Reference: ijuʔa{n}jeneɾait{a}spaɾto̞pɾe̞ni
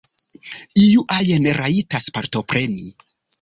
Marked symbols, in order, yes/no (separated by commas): no, yes